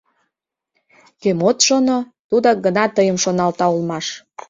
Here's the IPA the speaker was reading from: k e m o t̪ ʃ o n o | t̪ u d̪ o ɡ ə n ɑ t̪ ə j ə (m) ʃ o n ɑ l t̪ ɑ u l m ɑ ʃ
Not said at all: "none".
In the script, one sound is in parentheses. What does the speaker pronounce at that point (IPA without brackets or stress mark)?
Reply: m